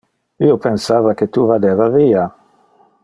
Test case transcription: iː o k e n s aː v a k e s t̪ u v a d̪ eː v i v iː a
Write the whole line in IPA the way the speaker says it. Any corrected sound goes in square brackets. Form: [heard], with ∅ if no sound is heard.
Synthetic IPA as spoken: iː o [p] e n s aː v a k e [∅] t̪ u v a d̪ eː v [a] v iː a